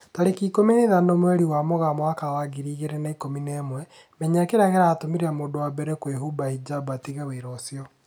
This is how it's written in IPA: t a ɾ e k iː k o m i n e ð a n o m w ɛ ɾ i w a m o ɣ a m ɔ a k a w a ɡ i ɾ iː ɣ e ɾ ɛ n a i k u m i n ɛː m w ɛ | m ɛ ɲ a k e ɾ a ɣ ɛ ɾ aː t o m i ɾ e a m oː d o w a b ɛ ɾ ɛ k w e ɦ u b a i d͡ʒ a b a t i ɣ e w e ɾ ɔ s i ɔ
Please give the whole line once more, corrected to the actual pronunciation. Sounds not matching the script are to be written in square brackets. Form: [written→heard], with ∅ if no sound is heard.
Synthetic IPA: t a ɾ e k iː k o m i n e ð a n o m w ɛ ɾ i w a m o ɣ a m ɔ a k a w a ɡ i ɾ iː ɣ e ɾ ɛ n a i k [u→o] m i n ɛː m w ɛ | m ɛ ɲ a k e ɾ a ɣ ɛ ɾ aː t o m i ɾ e a m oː d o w a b ɛ ɾ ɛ k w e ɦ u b a i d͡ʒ a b a t i ɣ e w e ɾ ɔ s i ɔ

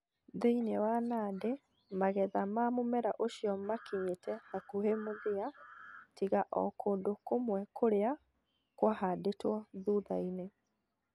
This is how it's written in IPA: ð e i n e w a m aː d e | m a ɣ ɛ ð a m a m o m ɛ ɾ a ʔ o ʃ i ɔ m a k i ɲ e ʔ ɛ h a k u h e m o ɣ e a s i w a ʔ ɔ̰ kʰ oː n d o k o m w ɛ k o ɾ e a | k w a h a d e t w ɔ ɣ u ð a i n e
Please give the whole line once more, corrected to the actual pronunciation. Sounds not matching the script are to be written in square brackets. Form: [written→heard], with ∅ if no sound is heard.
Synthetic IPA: ð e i n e w a [m→n] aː d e | m a ɣ ɛ ð a m a m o m ɛ ɾ a ʔ o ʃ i ɔ m a k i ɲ e [ʔ→t] ɛ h a k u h e m o [ɣ→ð] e a [s→t] i [w→ɣ] a ʔ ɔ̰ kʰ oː n d o k o m w ɛ k o ɾ e a | k w a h a d e t w ɔ [ɣ→ð] u ð a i n e

